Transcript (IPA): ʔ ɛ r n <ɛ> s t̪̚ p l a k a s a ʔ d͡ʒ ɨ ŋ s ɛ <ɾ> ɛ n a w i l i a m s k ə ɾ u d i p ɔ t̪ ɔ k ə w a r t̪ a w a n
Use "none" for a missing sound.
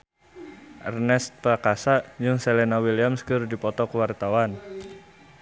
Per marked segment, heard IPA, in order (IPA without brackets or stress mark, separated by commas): ɛ, l